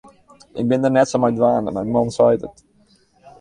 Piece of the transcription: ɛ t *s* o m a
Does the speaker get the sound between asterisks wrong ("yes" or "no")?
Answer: no